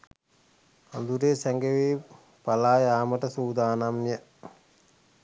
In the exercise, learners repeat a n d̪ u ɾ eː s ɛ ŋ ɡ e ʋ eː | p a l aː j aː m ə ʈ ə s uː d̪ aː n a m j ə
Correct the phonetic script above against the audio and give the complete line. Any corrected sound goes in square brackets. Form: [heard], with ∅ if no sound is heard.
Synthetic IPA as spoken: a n d̪ u ɾ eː s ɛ ŋ ɡ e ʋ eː | p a l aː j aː m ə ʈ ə s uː d̪ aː n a m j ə